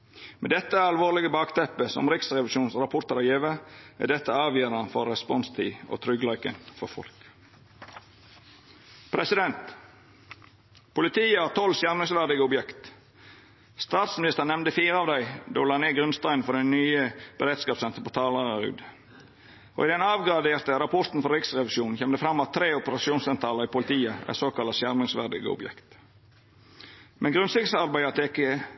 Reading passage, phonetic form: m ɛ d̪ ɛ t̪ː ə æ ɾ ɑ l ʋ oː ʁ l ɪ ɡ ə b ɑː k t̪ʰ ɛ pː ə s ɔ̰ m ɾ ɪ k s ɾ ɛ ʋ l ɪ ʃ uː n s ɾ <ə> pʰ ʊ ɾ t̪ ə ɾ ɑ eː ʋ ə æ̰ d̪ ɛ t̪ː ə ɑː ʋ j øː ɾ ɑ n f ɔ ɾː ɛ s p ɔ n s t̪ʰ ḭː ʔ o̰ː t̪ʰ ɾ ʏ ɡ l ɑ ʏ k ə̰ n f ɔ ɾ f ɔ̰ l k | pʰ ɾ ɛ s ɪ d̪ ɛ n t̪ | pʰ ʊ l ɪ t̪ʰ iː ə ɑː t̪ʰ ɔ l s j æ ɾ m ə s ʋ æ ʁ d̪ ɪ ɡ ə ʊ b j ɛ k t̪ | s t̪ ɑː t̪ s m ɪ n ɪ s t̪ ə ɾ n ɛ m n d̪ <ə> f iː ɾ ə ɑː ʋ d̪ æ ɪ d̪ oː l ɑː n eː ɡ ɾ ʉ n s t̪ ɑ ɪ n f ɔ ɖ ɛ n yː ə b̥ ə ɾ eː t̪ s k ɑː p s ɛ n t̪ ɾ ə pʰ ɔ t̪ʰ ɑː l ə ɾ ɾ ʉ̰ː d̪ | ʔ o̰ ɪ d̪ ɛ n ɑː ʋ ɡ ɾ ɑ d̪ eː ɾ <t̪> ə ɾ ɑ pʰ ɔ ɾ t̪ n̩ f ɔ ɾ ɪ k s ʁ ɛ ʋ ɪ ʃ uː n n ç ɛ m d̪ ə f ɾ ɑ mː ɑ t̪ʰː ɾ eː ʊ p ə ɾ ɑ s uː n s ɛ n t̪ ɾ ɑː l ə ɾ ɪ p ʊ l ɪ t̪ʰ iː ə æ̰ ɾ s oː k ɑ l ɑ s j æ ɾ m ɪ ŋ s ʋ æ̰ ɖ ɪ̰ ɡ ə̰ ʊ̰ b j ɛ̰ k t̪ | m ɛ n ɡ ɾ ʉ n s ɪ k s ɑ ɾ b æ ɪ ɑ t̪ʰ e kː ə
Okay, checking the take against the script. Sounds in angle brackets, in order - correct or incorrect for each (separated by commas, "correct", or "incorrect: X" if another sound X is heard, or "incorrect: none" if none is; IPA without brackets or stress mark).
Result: incorrect: ɑ, correct, correct